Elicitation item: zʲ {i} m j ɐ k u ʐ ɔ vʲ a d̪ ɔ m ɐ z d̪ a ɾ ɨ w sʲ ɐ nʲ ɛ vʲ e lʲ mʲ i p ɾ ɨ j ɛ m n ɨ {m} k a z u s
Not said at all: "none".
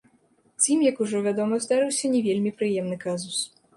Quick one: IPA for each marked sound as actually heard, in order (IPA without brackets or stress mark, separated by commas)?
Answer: i, none